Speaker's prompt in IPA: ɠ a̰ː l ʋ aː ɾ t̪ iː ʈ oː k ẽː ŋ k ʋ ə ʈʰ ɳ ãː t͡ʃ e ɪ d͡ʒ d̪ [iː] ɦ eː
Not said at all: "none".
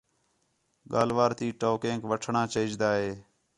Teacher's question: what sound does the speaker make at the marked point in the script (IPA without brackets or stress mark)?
aː